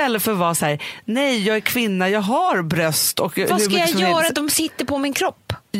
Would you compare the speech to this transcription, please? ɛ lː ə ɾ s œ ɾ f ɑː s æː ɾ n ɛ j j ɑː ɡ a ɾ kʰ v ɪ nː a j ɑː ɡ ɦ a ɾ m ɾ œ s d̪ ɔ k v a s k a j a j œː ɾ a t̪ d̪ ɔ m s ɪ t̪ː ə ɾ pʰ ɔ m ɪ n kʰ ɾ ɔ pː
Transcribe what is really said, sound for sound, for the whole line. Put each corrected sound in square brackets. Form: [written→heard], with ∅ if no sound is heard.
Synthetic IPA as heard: ɛ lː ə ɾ [s→f] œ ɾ [f→v] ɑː s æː ɾ n ɛ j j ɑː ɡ [a→æ] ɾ kʰ v ɪ nː a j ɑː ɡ ɦ a ɾ [m→b] ɾ œ s [d̪→t̪] ɔ k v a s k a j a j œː ɾ a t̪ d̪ ɔ m s ɪ t̪ː ə ɾ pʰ ɔ m ɪ n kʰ ɾ ɔ pː